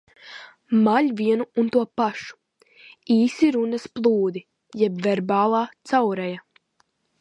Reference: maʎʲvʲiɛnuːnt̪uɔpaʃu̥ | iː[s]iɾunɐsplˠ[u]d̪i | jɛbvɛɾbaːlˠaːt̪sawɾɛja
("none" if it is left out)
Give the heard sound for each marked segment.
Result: s, uː

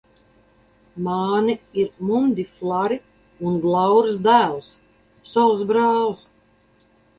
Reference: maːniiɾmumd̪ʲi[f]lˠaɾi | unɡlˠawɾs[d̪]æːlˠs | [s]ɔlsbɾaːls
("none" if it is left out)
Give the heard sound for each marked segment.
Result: f, d̪, s

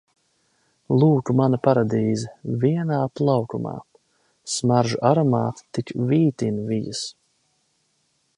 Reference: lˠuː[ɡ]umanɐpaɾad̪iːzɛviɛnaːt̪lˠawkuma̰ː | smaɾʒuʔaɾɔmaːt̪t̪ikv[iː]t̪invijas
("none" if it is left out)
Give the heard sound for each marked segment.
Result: k, iː

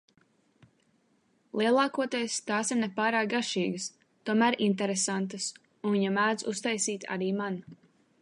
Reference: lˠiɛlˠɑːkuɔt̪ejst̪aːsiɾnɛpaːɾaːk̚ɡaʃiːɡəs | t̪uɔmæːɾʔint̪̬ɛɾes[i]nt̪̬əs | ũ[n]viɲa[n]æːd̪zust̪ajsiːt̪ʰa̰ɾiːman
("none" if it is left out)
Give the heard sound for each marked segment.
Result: a, n, m

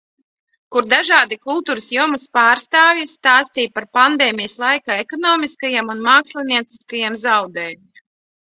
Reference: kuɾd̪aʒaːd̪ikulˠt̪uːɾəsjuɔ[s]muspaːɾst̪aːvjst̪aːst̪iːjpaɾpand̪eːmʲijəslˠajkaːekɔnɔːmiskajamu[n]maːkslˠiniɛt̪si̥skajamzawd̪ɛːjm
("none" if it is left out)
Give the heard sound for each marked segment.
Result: none, n

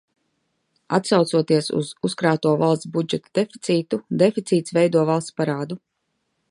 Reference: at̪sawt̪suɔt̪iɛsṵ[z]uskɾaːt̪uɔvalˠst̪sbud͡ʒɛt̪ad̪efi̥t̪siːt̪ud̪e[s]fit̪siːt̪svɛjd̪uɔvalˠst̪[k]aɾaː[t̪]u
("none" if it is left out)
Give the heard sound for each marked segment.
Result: z, none, p, d̪

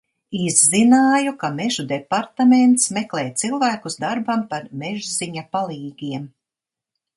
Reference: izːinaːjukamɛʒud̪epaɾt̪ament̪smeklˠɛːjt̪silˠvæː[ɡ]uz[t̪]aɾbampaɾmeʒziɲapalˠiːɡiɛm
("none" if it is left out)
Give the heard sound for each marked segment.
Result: k, d̪

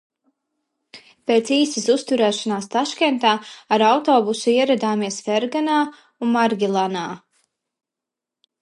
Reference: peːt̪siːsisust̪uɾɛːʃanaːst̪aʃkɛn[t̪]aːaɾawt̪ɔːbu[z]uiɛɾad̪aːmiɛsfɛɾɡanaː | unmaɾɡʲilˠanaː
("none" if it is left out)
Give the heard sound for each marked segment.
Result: t̪, s

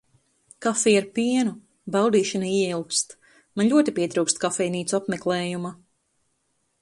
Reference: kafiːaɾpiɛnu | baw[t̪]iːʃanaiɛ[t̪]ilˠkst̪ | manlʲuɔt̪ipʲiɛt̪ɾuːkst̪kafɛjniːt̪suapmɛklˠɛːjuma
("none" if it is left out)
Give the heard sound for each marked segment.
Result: d̪, none

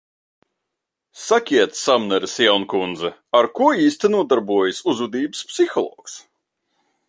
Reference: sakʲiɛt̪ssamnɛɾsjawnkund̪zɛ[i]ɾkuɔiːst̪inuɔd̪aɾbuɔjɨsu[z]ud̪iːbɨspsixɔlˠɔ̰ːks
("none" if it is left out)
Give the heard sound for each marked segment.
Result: a, z

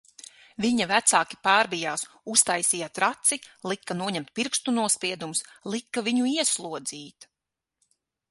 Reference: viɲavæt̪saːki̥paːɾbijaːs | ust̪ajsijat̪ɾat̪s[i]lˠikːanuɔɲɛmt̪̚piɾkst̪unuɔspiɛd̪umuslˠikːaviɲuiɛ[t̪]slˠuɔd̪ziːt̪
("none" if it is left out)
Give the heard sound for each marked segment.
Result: i, none

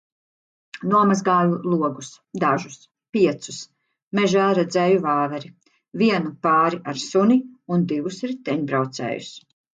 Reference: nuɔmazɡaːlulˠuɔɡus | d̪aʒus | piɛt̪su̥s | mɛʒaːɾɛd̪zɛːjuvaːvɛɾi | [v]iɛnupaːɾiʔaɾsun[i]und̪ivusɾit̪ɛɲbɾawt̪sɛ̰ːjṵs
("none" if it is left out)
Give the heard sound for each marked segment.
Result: v, i

